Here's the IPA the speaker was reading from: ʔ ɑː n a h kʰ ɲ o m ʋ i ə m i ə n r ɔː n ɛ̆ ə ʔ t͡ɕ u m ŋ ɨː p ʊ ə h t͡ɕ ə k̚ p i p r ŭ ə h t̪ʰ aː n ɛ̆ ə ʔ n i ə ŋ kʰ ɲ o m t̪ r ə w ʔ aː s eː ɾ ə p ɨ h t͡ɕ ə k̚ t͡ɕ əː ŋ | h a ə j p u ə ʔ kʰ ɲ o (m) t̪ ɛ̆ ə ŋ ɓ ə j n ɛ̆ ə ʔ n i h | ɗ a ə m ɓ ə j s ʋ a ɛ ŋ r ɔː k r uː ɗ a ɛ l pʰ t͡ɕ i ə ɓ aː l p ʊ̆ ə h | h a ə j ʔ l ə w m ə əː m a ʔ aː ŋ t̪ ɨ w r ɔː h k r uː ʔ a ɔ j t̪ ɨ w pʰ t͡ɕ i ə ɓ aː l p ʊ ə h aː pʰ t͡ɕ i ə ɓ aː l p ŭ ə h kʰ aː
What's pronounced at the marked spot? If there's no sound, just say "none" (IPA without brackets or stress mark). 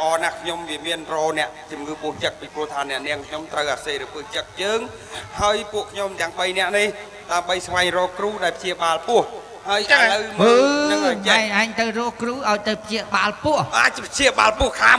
m